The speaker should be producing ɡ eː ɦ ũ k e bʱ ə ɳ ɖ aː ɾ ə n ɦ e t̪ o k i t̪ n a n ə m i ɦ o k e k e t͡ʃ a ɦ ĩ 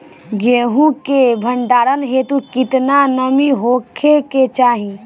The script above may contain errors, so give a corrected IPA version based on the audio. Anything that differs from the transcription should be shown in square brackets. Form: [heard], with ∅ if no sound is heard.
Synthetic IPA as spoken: ɡ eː ɦ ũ k e bʱ ə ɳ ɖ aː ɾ ə n ɦ e t̪ [u] k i t̪ n a n ə m i ɦ o [kʰ] e k e t͡ʃ a ɦ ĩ